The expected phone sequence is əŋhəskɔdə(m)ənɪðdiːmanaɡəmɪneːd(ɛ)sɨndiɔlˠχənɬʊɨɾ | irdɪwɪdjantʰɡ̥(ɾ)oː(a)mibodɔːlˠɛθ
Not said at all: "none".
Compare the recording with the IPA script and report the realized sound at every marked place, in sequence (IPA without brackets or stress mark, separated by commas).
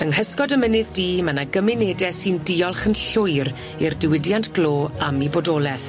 m, ɛ, l, a